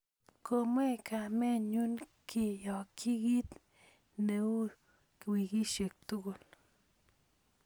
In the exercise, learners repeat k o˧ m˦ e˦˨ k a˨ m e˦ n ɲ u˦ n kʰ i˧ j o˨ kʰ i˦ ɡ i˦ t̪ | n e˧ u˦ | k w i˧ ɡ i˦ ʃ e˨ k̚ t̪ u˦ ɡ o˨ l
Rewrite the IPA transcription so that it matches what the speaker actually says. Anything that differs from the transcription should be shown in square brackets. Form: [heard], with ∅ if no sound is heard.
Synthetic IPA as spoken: k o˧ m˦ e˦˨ k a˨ m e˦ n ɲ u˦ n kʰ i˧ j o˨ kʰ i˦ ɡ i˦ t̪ | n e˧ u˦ | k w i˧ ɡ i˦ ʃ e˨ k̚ t̪ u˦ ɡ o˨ l